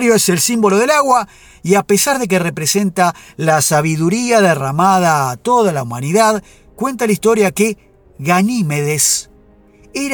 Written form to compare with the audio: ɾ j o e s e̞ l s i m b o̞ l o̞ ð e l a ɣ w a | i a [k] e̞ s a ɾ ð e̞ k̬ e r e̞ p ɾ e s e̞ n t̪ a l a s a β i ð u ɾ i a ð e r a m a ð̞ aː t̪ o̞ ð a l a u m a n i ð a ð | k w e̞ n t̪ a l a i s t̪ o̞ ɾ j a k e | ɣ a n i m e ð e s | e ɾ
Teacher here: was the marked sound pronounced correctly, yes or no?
no